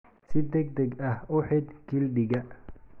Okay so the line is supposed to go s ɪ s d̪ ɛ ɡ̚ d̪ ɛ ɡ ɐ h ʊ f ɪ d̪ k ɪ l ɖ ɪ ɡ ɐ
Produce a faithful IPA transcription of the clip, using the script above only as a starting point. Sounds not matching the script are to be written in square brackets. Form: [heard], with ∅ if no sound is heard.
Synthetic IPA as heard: s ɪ [∅] d̪ ɛ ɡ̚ d̪ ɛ ɡ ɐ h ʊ [ħ] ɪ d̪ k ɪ l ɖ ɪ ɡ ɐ

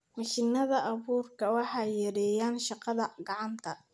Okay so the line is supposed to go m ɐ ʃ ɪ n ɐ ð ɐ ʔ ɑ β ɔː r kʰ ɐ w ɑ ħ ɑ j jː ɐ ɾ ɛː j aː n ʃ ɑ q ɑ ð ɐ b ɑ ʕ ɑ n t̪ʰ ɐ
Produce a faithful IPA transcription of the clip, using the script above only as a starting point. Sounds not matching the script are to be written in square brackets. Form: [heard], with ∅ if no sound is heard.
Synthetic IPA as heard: m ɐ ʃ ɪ n ɐ ð ɐ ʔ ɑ β [uː] r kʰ ɐ w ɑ ħ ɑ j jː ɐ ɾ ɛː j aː n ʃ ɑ q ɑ ð ɐ [ɡ] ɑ ʕ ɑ n t̪ʰ ɐ

